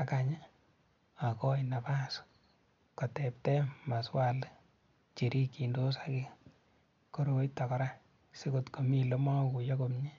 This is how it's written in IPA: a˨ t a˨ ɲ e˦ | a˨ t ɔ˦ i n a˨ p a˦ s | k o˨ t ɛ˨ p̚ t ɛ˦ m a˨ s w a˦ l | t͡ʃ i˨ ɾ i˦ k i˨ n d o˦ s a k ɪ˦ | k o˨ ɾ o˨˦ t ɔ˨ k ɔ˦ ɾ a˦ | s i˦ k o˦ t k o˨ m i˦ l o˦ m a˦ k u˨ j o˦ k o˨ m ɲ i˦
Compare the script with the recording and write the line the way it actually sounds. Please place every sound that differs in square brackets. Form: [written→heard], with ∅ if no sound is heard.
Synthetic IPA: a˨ [t→k] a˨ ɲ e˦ | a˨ [t→k] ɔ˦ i n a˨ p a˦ s | k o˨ t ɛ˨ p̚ t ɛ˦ m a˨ s w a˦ l | t͡ʃ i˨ ɾ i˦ k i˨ n d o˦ s a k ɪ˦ | k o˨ ɾ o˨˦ t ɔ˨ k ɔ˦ ɾ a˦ | s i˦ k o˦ t k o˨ m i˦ l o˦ m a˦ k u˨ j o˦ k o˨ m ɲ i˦